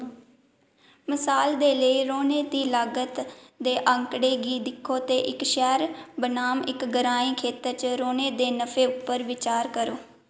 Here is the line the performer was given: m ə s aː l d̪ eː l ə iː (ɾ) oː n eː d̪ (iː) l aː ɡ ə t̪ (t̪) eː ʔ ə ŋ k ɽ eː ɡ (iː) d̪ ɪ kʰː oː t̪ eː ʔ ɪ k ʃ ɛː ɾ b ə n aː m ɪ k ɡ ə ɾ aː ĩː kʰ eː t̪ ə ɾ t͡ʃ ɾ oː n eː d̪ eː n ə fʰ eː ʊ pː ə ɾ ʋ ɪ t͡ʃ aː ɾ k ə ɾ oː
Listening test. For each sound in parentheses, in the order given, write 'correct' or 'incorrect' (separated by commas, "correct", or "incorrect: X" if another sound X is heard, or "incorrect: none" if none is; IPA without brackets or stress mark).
correct, correct, incorrect: d̪, correct